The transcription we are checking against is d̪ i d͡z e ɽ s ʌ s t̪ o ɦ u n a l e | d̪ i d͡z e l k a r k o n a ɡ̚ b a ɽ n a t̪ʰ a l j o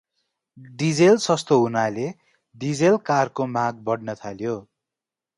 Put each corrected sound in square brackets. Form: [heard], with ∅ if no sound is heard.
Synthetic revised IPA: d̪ i d͡z e [l] s ʌ s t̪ o ɦ u n a l e | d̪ i d͡z e l k a r k o [m] a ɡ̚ b [ʌ] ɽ n [ʌ] t̪ʰ a l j o